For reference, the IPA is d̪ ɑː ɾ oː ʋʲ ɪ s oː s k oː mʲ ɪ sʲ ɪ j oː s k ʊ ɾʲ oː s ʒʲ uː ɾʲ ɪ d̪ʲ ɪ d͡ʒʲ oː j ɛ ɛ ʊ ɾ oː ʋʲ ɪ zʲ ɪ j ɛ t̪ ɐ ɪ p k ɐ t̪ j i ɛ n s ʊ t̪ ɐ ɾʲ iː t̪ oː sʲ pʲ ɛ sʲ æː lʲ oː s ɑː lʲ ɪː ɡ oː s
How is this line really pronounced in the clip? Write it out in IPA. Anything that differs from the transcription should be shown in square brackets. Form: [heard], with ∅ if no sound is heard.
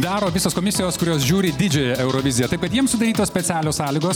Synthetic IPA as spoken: d̪ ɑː ɾ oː ʋʲ ɪ s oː s k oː mʲ ɪ sʲ ɪ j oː s k ʊ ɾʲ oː s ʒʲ uː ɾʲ ɪ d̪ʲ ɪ d͡ʒʲ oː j ɛ ɛ ʊ ɾ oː ʋʲ ɪ zʲ ɪ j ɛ t̪ ɐ ɪ p k ɐ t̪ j i ɛ [m] s ʊ [d̪] ɐ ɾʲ iː t̪ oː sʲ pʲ ɛ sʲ æː lʲ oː s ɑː lʲ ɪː ɡ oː s